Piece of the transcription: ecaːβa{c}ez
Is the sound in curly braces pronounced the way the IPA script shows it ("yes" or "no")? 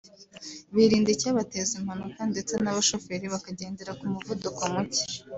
no